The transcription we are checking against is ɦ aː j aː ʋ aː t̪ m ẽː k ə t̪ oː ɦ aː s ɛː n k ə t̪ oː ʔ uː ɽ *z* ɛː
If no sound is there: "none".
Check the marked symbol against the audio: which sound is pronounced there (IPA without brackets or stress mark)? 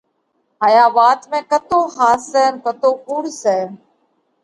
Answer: s